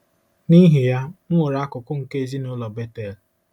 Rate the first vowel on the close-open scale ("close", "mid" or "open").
close